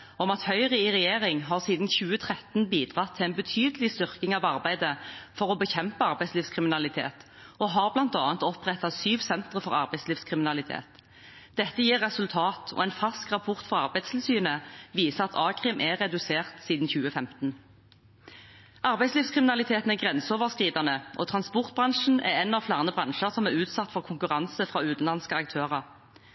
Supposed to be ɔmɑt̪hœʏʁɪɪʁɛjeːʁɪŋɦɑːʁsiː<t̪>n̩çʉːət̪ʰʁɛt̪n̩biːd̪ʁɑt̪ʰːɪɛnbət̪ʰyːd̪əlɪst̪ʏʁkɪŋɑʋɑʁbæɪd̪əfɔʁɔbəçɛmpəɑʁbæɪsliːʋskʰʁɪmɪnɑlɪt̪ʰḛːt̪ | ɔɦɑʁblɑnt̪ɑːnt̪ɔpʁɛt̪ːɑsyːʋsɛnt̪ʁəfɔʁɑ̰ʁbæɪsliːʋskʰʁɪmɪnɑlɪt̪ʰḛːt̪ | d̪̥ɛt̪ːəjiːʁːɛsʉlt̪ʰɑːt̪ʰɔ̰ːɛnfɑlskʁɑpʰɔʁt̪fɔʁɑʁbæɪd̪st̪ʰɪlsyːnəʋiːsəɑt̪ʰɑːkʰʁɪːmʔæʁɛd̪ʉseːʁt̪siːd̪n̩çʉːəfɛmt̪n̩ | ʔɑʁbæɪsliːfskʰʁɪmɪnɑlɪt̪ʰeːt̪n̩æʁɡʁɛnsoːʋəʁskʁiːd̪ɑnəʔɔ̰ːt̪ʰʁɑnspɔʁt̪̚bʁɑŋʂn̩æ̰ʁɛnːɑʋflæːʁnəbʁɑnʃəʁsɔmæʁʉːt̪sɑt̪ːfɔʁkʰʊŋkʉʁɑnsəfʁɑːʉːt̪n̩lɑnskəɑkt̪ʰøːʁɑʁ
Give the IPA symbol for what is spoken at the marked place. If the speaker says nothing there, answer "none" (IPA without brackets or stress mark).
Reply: d̪